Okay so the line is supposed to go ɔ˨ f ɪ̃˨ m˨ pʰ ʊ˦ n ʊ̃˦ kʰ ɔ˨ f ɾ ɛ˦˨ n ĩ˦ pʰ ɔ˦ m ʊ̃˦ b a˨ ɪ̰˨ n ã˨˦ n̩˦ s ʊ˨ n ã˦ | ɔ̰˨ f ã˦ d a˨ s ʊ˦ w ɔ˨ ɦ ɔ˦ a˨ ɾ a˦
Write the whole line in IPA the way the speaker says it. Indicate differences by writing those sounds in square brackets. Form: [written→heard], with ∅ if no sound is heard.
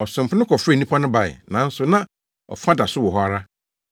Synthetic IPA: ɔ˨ [f→s] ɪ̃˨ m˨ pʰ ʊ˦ n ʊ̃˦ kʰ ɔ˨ f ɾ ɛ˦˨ n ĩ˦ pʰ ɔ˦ [m→n] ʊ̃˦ b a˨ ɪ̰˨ n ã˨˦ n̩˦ s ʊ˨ n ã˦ | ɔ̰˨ f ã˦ d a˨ s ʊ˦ w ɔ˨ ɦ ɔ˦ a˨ ɾ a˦

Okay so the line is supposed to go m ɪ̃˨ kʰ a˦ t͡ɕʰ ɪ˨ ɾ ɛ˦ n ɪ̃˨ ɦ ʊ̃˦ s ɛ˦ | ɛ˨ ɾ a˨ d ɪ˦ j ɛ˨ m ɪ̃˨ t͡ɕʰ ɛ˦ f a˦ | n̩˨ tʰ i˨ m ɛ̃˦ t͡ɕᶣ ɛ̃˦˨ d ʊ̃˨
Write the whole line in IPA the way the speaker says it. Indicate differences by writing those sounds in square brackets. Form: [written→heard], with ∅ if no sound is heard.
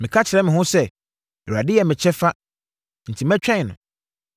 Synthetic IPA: m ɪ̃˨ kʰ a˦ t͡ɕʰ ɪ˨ ɾ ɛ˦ [n→m] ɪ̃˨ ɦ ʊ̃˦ s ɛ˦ | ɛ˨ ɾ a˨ d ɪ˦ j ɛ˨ m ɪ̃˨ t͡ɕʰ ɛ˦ f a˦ | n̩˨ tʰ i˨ m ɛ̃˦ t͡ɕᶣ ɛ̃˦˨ [d→n] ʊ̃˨

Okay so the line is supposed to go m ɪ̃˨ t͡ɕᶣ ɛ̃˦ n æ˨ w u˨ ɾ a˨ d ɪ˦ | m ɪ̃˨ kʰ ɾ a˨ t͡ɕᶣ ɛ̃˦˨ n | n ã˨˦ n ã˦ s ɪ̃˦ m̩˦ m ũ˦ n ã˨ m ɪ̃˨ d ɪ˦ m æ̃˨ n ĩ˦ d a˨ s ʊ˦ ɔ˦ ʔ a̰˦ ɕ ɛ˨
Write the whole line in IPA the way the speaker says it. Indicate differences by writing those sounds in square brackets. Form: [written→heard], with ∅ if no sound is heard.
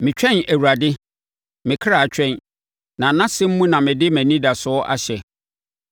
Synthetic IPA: m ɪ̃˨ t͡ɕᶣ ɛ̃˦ n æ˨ w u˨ ɾ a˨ d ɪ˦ | m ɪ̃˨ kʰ ɾ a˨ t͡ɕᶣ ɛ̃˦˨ n | n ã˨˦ n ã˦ s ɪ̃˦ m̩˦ m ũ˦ n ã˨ m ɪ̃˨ d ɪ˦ m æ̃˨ n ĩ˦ d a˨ s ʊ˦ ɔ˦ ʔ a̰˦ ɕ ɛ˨

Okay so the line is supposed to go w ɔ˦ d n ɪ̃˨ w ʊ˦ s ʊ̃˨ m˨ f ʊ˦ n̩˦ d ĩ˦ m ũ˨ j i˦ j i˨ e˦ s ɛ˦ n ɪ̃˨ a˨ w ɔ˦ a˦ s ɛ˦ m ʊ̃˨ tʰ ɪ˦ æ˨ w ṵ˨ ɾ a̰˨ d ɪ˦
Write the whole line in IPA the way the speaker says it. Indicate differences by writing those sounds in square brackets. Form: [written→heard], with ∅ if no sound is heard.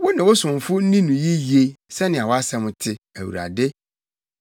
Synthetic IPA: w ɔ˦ [d→∅] n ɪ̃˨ w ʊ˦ s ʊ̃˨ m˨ f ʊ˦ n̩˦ [d→n] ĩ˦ [m→n] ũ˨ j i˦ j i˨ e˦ s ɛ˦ n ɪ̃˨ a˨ w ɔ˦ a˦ s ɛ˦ m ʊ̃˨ tʰ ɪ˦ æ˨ w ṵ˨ ɾ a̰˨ d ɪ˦

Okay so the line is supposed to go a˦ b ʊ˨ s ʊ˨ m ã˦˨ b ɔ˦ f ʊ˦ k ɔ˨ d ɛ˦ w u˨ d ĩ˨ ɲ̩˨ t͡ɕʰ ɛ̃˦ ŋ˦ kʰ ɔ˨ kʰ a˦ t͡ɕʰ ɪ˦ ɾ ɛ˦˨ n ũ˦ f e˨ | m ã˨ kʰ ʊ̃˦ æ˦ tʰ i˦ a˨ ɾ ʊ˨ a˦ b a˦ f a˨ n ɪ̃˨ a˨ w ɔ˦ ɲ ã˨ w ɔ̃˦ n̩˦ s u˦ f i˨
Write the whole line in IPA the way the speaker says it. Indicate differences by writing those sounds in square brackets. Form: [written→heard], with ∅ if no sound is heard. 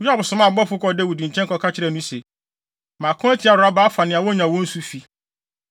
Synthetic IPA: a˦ b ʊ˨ s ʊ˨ m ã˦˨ b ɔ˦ f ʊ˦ k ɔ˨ d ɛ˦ w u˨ d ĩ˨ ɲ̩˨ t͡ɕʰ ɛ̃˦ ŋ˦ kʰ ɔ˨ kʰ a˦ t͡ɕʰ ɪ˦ ɾ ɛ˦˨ n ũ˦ [f→s] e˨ | m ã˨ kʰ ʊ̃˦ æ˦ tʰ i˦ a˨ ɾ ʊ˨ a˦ b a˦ f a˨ n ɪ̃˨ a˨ w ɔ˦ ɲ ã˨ w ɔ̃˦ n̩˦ s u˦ f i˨

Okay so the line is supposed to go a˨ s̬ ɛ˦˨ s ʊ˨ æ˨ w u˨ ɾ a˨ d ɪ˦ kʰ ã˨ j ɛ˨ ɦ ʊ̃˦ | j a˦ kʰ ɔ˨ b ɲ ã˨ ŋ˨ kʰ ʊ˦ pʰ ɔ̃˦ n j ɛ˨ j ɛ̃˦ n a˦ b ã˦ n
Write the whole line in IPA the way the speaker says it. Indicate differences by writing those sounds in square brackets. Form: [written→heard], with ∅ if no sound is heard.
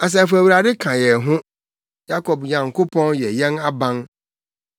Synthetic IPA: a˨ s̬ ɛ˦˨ [s→f] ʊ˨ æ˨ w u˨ ɾ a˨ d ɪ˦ kʰ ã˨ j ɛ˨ ɦ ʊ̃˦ | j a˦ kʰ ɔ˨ b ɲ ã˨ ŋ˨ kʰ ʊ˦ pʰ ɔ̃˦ n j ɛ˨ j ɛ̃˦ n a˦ b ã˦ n

